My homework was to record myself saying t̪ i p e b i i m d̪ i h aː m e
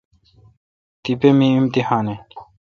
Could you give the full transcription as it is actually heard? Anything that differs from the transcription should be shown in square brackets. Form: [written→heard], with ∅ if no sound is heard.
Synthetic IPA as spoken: t̪ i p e [b→m] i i m [d̪→t̪] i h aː [m→n] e